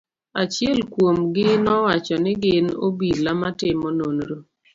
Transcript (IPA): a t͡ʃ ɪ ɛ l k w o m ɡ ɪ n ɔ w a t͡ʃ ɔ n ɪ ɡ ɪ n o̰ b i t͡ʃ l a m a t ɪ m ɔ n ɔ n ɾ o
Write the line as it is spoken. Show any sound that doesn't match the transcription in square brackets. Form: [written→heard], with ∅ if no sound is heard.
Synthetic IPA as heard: a t͡ʃ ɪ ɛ l k w o m ɡ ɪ n ɔ w a t͡ʃ ɔ n ɪ ɡ ɪ n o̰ b i [t͡ʃ→∅] l a m a t ɪ m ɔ n [ɔ→o] n ɾ o